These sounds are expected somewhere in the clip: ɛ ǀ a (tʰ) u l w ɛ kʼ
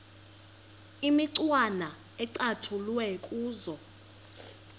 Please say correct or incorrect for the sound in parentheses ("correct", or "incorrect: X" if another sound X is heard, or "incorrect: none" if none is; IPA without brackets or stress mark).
correct